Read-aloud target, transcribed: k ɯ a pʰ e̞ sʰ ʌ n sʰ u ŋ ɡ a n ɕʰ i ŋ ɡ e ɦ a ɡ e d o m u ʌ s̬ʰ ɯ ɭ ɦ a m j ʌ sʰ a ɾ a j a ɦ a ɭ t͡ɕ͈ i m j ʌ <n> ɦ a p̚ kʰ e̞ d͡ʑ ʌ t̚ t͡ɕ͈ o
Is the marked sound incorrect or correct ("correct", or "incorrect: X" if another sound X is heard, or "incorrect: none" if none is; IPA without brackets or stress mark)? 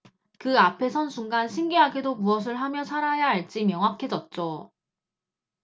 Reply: incorrect: ŋ